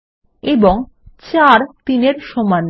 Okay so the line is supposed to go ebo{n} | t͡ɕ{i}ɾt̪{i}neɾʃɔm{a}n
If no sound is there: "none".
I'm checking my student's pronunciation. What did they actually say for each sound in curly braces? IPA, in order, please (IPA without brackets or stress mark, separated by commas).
ŋ, a, i, a